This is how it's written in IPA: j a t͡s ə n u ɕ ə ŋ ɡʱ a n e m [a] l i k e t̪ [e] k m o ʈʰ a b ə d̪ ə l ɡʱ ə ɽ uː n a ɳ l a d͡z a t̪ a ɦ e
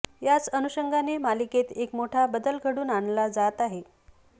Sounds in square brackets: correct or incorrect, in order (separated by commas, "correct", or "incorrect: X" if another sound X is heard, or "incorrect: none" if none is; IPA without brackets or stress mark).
correct, correct